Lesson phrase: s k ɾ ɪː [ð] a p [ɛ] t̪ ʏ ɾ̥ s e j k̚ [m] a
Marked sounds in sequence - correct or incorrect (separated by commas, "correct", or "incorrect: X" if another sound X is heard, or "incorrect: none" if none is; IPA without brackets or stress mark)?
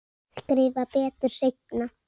incorrect: v, incorrect: ɛː, incorrect: n